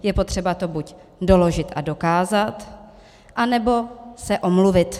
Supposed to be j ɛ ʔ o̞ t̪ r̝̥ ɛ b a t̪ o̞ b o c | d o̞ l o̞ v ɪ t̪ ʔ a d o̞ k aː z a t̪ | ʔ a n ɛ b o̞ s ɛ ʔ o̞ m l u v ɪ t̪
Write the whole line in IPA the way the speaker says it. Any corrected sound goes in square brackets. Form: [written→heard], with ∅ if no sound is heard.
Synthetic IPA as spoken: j ɛ [ʔ→p] o̞ t̪ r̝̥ ɛ b a t̪ o̞ b [o→u] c | d o̞ l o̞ [v→ʒ] ɪ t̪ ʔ a d o̞ k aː z a t̪ | ʔ a n ɛ b o̞ s ɛ ʔ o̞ m l u v ɪ t̪